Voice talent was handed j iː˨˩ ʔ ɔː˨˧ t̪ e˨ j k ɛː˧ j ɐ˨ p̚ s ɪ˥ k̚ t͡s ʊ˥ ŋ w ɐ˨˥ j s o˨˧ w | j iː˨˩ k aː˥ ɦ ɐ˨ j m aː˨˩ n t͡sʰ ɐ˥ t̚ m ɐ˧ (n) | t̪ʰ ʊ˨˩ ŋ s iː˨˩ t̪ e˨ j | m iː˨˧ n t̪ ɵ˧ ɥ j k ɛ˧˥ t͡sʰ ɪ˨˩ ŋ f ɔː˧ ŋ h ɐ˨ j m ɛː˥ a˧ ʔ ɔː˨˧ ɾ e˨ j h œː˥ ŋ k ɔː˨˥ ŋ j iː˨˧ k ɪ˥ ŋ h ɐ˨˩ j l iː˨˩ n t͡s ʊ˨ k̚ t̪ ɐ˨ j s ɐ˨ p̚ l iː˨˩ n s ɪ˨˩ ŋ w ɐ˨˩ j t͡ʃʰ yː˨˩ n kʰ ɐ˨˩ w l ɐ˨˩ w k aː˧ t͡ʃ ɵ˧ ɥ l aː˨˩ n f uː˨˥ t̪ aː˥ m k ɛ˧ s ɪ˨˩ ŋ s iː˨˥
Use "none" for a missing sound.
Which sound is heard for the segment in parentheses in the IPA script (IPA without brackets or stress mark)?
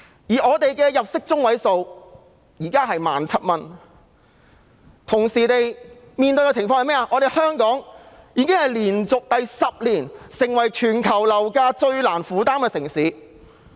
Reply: n